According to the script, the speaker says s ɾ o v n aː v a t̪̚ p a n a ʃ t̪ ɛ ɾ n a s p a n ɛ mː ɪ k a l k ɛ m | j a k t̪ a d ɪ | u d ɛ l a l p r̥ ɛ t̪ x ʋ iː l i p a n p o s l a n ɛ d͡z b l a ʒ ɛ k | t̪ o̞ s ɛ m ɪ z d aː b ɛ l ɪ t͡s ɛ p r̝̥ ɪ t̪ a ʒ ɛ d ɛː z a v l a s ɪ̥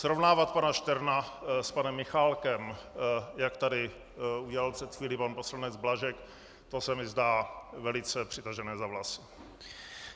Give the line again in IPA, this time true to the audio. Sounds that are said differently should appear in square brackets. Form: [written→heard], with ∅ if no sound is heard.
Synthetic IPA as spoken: s ɾ o v n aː v a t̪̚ p a n a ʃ t̪ ɛ ɾ n a s p a n ɛ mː ɪ [k→x] a l k ɛ m | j a k t̪ a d ɪ | u [d→ɟ] ɛ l a l p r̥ ɛ t̪ x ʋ iː l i p a n p o s l a n ɛ d͡z b l a ʒ ɛ k | t̪ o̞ s ɛ m ɪ z d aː [b→v] ɛ l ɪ t͡s ɛ p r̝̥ ɪ t̪ a ʒ ɛ [d→n] ɛː z a v l a s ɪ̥

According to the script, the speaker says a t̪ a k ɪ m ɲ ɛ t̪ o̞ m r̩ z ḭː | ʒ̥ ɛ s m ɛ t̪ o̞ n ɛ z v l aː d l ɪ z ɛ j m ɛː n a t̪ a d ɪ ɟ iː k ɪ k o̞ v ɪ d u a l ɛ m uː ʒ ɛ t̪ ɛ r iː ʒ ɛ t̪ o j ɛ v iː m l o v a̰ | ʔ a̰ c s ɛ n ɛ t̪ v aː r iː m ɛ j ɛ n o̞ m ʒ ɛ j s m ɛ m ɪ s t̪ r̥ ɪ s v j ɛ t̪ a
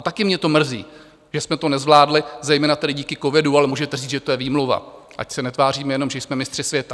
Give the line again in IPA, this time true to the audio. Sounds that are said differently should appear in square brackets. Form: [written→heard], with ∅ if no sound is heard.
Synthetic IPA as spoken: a t̪ a k ɪ m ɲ ɛ t̪ o̞ m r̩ z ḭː | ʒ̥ ɛ s m ɛ t̪ o̞ n ɛ z v l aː d l ɪ z ɛ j m ɛː n a t̪ [a→ɛ] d ɪ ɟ iː k ɪ k o̞ v ɪ d u a l ɛ m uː ʒ ɛ t̪ ɛ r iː ʒ ɛ t̪ o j ɛ v iː m l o v a̰ | ʔ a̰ c s ɛ n ɛ t̪ v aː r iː m ɛ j ɛ n o̞ m ʒ ɛ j s m ɛ m ɪ s t̪ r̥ ɪ s v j ɛ t̪ a

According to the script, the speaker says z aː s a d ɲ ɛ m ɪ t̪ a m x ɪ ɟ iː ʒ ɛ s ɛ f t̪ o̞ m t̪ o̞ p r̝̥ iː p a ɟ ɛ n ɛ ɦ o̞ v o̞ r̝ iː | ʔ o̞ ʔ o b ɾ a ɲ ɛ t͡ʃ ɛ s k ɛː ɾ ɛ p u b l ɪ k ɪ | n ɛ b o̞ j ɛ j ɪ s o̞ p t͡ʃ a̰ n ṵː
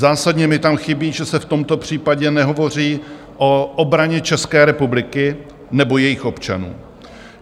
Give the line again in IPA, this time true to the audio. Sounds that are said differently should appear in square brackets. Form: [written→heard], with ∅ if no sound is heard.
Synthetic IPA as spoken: z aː s a d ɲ ɛ m ɪ t̪ a m x ɪ [ɟ→b] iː ʒ ɛ s ɛ f t̪ o̞ m t̪ o̞ p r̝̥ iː p a ɟ ɛ n ɛ ɦ o̞ v o̞ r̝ iː | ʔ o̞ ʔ o b ɾ a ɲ ɛ t͡ʃ ɛ s k ɛː ɾ ɛ p u b l ɪ k ɪ | n ɛ b o̞ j ɛ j ɪ [s→x] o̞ p t͡ʃ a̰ n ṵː

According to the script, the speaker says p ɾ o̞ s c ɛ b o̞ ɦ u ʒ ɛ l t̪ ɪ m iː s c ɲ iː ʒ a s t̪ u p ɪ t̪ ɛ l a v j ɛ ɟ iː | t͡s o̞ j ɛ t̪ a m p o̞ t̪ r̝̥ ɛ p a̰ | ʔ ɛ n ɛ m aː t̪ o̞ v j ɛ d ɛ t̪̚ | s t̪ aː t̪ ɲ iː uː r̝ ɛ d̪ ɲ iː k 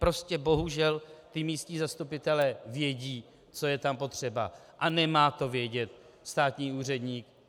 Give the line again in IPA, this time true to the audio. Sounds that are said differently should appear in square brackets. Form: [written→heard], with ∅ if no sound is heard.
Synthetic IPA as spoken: p ɾ o̞ s c ɛ b o̞ ɦ u ʒ ɛ l t̪ ɪ m iː s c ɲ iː [ʒ→z] a s t̪ u p ɪ t̪ ɛ l [a→ɛ] v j ɛ ɟ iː | t͡s o̞ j ɛ t̪ a m p o̞ t̪ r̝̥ ɛ [p→b] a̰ | ʔ [ɛ→a] n ɛ m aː t̪ o̞ v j ɛ [d→ɟ] ɛ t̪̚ | s t̪ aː t̪ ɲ iː uː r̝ ɛ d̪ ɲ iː k

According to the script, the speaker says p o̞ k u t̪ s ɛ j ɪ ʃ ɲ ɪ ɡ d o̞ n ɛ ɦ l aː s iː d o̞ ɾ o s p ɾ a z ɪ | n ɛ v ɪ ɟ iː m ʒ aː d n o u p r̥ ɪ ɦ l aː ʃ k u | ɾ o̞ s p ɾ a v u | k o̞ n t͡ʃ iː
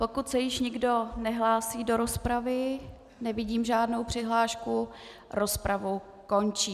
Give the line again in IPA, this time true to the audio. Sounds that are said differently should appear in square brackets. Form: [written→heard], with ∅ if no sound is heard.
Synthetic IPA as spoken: p o̞ k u t̪ s ɛ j ɪ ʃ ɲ ɪ ɡ d o̞ n ɛ ɦ l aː s iː d o̞ ɾ o s p ɾ a [z→v] ɪ | n ɛ v ɪ ɟ iː m ʒ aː d n o [u→w] p r̥ ɪ ɦ l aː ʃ k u | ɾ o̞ s p ɾ a v u | k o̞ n t͡ʃ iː

